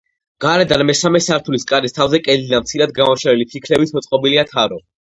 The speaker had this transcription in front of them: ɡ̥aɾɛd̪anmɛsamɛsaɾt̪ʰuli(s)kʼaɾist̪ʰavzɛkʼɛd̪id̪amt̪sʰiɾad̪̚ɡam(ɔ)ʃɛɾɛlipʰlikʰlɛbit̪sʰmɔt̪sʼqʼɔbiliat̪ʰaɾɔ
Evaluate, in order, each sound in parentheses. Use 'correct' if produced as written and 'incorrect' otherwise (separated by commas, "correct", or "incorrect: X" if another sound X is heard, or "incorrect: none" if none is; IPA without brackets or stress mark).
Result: correct, correct